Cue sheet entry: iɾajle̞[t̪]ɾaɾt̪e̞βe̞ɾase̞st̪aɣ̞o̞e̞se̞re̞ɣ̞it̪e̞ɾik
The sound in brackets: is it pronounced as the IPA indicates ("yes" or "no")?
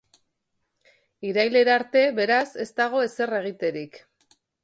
no